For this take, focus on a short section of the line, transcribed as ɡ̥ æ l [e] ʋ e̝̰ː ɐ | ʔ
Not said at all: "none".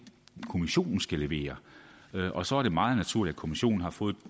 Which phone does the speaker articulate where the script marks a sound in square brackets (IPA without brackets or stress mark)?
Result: e